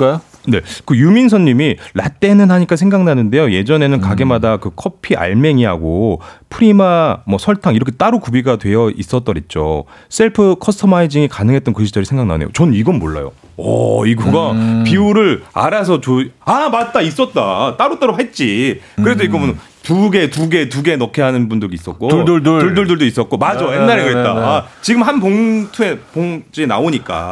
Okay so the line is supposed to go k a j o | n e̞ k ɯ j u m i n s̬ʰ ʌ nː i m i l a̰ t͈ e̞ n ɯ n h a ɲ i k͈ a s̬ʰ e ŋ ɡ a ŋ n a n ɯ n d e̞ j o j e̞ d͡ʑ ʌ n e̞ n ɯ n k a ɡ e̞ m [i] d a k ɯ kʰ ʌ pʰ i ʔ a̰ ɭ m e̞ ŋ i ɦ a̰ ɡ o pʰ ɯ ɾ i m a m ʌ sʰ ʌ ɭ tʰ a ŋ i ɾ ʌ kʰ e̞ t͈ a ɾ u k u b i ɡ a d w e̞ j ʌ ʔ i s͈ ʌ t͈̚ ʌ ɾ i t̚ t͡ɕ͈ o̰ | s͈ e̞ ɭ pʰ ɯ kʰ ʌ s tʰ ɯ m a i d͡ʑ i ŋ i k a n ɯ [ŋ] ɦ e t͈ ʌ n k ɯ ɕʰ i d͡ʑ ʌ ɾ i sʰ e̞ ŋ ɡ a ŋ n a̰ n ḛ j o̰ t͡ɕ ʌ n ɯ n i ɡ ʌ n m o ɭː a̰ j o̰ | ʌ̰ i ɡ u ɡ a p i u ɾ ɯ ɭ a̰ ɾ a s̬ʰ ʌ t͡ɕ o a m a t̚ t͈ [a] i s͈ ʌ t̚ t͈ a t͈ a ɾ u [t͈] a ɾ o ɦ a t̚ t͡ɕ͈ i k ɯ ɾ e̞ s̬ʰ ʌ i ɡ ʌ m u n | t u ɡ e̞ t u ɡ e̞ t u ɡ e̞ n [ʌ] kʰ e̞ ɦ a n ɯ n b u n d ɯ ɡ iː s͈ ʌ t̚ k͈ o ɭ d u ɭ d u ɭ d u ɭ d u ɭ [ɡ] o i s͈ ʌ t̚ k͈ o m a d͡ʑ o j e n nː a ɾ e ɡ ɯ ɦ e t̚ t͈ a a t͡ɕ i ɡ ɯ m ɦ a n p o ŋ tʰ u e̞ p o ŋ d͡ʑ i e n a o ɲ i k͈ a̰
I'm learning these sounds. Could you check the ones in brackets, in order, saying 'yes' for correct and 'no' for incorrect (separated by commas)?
no, yes, yes, yes, yes, no